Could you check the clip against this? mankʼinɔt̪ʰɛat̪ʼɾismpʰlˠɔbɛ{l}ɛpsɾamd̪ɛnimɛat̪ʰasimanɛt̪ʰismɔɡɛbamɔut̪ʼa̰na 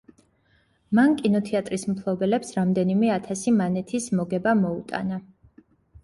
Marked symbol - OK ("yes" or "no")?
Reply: yes